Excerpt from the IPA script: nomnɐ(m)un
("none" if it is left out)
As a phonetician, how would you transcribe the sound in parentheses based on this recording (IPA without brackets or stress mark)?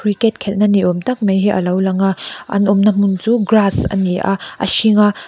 m